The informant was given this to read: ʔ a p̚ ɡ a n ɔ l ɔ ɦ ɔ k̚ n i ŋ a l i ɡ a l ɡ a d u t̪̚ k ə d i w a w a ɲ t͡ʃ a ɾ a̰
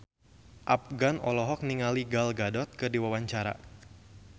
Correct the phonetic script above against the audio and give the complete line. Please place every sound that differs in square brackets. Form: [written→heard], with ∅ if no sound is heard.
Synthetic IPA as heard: ʔ a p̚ ɡ a n ɔ l ɔ ɦ ɔ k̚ n i ŋ a l i ɡ a l ɡ a d [u→ɔ] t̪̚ k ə d i w a w a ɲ t͡ʃ a ɾ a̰